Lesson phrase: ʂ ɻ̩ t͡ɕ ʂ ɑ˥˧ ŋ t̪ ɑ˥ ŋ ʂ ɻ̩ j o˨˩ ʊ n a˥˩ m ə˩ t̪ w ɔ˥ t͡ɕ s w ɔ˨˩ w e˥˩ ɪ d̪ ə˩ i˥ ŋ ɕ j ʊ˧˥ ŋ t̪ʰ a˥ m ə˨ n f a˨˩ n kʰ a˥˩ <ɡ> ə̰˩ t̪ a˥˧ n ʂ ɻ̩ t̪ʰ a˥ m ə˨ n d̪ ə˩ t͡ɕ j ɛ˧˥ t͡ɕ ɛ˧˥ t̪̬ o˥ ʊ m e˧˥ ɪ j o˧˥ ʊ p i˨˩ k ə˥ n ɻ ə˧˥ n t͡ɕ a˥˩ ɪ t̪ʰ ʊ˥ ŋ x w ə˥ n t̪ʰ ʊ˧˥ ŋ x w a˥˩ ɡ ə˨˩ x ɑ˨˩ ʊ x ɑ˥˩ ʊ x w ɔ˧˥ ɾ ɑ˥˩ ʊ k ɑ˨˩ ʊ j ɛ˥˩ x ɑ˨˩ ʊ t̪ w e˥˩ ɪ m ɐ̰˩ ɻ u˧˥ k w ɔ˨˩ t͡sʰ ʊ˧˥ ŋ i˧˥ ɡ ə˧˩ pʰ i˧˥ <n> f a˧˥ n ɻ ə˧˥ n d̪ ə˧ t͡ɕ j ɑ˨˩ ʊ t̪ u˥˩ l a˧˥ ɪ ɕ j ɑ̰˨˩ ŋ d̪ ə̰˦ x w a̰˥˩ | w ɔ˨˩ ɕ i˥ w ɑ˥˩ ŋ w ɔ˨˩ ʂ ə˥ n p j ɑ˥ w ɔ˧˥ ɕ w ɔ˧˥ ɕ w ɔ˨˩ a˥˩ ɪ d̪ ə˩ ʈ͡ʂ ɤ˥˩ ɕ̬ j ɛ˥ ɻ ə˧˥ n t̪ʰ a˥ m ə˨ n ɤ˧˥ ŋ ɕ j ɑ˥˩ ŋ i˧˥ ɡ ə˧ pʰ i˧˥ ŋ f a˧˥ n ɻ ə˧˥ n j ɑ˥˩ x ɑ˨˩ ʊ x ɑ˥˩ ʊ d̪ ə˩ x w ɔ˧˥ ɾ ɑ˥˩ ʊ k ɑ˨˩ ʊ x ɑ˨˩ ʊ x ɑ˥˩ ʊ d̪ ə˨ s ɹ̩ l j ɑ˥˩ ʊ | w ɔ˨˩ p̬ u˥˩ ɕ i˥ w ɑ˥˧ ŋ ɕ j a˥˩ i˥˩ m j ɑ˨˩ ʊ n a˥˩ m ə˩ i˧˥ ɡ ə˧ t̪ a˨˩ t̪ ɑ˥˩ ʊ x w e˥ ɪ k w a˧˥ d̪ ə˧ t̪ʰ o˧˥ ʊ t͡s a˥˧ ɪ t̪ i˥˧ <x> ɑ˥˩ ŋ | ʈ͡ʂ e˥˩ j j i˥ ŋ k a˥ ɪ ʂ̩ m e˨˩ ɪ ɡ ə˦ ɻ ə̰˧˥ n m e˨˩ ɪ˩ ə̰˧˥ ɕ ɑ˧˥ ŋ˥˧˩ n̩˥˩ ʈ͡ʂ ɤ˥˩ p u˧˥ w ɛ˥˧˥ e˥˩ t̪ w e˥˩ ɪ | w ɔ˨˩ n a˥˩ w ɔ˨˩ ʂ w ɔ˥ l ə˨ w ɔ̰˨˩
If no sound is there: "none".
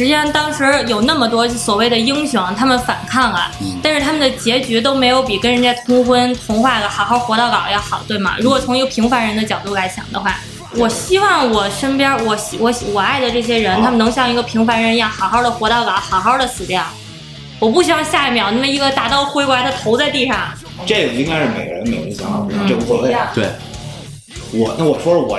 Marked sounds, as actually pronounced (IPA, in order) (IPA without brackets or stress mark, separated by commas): ŋ, ŋ, ʂ